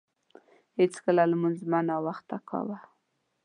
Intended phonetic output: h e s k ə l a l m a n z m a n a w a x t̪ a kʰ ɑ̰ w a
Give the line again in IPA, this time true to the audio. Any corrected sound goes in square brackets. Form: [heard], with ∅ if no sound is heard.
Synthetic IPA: h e [t͡s] k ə l a l m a n z m a n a w a x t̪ a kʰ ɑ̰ w a